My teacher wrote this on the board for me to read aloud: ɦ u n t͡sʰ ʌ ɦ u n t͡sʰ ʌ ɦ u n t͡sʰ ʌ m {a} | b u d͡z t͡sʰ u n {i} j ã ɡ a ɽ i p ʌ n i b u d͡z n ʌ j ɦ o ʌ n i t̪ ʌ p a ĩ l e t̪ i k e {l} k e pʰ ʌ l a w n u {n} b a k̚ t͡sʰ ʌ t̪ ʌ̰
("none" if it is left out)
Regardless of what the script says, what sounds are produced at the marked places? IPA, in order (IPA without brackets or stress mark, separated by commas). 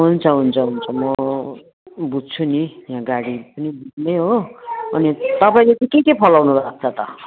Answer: ʌ, i, none, none